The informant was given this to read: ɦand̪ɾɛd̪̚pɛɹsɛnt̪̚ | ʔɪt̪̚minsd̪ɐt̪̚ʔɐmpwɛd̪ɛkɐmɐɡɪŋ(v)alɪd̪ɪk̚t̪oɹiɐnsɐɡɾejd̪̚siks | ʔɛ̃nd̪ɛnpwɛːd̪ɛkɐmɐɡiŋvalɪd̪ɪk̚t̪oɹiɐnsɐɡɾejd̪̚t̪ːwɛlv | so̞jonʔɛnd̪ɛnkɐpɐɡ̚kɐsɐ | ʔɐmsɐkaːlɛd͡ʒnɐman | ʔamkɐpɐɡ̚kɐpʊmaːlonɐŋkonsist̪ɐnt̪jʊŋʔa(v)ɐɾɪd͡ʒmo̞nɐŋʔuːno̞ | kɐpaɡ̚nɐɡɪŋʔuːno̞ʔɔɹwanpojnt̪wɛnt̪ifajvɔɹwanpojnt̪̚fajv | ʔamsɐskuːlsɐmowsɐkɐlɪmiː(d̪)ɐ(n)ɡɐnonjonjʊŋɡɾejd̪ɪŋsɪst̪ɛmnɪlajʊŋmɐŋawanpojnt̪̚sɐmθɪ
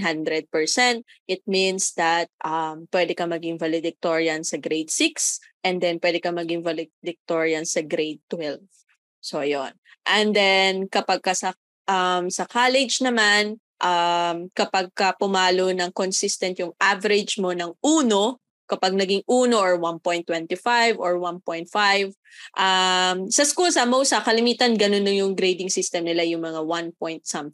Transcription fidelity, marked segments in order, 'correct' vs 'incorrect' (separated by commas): correct, correct, incorrect, correct